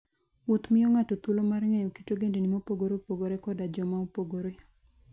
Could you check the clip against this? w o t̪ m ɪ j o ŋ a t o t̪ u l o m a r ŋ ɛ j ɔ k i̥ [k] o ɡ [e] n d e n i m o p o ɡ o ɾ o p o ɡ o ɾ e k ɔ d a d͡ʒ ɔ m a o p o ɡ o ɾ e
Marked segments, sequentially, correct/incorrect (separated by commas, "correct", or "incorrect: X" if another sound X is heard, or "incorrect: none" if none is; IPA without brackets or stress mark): incorrect: t, correct